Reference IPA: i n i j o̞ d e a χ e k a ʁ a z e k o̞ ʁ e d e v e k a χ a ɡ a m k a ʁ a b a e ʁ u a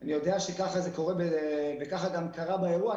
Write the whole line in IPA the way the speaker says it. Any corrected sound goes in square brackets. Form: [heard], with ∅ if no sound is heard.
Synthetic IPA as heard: [a] n i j o̞ d e a [ʃ] e k a [χ] a z e k o̞ ʁ e [b] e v e k a χ a ɡ a m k a ʁ a b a e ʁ u a